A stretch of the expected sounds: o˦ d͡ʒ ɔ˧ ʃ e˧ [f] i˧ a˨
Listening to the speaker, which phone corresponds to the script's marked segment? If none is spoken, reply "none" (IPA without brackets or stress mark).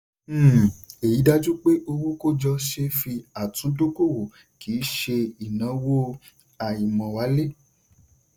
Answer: f